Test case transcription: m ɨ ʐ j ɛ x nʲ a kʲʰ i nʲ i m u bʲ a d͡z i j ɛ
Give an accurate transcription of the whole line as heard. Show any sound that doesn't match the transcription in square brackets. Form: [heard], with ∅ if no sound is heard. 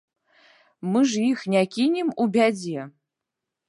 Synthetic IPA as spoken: m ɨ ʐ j [i] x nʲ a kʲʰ i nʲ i m u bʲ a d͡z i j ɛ

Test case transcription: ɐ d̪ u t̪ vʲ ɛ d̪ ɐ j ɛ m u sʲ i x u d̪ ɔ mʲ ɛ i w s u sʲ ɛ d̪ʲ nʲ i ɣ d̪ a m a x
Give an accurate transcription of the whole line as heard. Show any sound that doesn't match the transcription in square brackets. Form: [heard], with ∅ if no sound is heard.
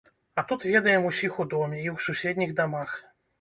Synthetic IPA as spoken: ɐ [t̪] u t̪ vʲ ɛ d̪ ɐ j ɛ m u sʲ i x u d̪ ɔ mʲ ɛ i w s u sʲ ɛ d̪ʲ nʲ i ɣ d̪ a m a x

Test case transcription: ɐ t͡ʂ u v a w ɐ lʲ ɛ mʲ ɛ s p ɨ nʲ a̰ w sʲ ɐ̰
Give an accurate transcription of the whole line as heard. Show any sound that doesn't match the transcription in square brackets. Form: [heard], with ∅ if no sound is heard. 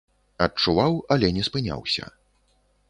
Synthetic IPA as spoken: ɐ t͡ʂ u v a w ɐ lʲ ɛ [nʲ] ɛ s p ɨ nʲ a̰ w sʲ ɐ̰

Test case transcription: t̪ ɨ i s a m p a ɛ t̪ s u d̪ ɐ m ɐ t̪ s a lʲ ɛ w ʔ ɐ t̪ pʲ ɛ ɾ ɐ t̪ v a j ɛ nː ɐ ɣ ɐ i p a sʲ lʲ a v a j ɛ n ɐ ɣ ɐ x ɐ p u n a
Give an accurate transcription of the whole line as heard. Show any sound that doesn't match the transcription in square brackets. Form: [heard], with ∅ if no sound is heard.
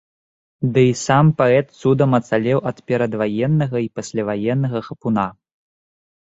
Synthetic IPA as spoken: [d̪] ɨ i s a m p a ɛ t̪ s u d̪ ɐ m ɐ t̪ s a lʲ ɛ w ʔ ɐ t̪ pʲ ɛ ɾ ɐ [d̪] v a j ɛ nː ɐ ɣ ɐ i p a sʲ lʲ a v a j ɛ [nː] ɐ ɣ ɐ x ɐ p u n a

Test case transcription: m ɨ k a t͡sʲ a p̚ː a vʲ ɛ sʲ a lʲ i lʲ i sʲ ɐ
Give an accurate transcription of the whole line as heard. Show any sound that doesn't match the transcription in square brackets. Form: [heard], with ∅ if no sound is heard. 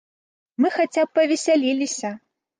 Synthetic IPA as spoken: m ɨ [x] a t͡sʲ a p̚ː [ɐ] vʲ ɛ sʲ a lʲ i lʲ i sʲ ɐ

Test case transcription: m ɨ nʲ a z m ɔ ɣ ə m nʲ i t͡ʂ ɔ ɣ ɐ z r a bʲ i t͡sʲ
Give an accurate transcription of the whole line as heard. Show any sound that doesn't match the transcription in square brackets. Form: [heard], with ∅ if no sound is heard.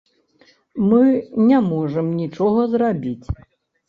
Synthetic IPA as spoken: m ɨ nʲ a [∅] m ɔ [ʐ] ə m nʲ i t͡ʂ ɔ ɣ ɐ z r a bʲ i t͡sʲ

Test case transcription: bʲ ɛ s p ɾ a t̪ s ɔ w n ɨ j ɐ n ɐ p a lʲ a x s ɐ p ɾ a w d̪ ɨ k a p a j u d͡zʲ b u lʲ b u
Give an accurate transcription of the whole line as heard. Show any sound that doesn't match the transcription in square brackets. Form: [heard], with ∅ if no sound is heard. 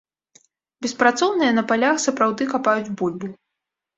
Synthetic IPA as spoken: bʲ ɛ s p ɾ a t̪ s ɔ w n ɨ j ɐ n ɐ p a lʲ a x s ɐ p ɾ a w d̪ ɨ k a p a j u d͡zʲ b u lʲ b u

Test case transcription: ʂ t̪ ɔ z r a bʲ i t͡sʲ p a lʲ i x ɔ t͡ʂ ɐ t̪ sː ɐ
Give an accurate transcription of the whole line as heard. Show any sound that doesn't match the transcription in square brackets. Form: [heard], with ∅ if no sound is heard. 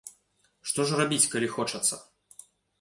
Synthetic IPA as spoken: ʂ t̪ ɔ [ʐ] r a bʲ i t͡sʲ [k] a lʲ i x ɔ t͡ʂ ɐ t̪ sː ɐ

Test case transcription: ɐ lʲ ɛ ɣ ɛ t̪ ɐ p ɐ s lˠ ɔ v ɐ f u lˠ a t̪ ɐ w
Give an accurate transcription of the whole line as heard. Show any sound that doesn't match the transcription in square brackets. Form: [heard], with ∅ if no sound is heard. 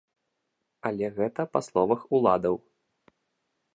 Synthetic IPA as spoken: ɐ lʲ ɛ ɣ ɛ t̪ ɐ p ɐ s lˠ ɔ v ɐ [x] u lˠ a [d̪] ɐ w

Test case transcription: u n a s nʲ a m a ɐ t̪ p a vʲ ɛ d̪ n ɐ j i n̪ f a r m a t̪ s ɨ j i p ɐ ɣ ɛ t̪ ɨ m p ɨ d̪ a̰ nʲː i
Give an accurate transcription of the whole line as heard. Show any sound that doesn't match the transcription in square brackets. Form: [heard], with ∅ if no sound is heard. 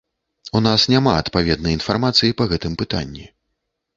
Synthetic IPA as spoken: u n a s nʲ a m a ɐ t̪ p a vʲ ɛ d̪ n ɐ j i n̪ f a r m a t̪ s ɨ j i p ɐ ɣ ɛ t̪ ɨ m p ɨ [t̪] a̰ nʲː i

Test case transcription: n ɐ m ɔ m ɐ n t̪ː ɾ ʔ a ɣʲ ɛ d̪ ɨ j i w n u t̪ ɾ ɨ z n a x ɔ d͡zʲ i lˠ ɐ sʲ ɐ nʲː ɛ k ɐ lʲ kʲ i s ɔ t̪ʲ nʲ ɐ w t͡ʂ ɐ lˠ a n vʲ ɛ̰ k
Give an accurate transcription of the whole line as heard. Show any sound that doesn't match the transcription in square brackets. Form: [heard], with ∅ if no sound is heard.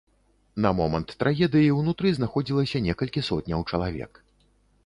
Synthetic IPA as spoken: n ɐ m ɔ m ɐ n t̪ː ɾ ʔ a ɣʲ ɛ d̪ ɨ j i w n u t̪ ɾ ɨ z n a x ɔ d͡zʲ i lˠ ɐ sʲ ɐ [nʲ] ɛ k ɐ lʲ kʲ i s ɔ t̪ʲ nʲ ɐ w t͡ʂ ɐ lˠ a [∅] vʲ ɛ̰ k

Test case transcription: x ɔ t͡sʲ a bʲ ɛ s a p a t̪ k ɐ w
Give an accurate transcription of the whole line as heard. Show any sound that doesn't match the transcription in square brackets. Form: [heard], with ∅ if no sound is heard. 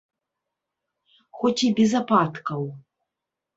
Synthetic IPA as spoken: x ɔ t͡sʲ [i] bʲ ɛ [z] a p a t̪ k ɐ w

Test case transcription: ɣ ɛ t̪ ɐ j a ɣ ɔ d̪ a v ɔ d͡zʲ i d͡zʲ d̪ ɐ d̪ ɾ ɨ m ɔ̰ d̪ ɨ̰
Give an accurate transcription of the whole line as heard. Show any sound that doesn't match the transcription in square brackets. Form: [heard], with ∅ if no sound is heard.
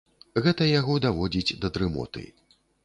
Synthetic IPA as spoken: ɣ ɛ t̪ ɐ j a ɣ ɔ d̪ a v ɔ d͡zʲ i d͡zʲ d̪ ɐ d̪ ɾ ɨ m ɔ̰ [t̪] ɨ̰

